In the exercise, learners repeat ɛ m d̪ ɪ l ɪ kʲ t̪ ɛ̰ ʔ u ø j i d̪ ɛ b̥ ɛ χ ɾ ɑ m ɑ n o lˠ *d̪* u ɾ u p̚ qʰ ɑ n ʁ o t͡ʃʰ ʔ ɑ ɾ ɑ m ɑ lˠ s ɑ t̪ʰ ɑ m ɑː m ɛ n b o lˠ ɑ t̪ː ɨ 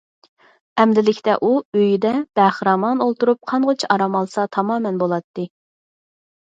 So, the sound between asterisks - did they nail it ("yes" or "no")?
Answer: no